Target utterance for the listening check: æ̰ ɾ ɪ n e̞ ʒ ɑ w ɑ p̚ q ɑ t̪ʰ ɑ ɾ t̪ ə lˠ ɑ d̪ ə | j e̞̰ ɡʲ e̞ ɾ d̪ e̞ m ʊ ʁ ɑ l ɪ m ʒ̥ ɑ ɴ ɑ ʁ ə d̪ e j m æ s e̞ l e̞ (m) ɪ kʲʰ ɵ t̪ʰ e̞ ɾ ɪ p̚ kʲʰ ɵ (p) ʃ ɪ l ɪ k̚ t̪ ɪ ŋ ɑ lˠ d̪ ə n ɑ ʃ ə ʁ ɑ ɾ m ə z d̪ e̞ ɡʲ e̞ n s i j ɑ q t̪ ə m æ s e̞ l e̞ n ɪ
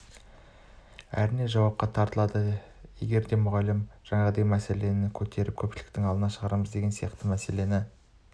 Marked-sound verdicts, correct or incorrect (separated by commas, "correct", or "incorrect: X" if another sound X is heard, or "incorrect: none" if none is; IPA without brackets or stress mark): incorrect: n, correct